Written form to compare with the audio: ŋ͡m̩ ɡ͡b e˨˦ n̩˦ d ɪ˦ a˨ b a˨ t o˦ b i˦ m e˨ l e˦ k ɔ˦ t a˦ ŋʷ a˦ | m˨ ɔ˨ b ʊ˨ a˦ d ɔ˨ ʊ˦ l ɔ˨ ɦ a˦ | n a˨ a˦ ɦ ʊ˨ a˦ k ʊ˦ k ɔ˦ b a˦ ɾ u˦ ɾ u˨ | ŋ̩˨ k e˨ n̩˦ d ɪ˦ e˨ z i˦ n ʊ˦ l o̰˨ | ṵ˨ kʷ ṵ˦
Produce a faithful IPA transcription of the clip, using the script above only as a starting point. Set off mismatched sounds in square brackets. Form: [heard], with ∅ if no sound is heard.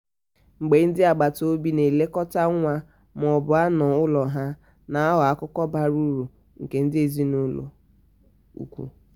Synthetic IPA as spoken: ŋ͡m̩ ɡ͡b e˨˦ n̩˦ d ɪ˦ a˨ [ɡ͡b] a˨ t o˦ b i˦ [n] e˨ l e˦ k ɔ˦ t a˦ ŋʷ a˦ | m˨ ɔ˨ b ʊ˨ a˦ [n] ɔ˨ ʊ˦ l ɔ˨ ɦ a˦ | n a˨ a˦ ɦ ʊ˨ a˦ k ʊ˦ k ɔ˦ b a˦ ɾ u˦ ɾ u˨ | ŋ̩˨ k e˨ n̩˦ d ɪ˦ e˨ z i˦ n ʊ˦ l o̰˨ | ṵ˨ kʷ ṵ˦